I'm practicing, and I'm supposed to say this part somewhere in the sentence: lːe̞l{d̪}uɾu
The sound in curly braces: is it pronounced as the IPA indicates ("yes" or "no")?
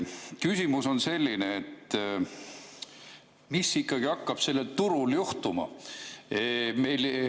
no